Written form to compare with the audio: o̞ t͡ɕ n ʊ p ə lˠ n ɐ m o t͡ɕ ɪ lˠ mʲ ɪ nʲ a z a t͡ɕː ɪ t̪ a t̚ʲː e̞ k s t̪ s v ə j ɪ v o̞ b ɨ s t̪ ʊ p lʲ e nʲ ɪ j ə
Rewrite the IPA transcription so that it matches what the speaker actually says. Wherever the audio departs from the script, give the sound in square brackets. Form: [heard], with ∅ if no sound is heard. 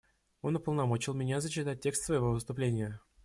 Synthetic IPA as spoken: o̞ [∅] n ʊ p ə lˠ n ɐ m o t͡ɕ ɪ lˠ mʲ ɪ nʲ a z [ə] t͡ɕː ɪ t̪ a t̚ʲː e̞ k s t̪ s v ə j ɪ v o̞ [v] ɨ s t̪ ʊ p lʲ e nʲ ɪ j ə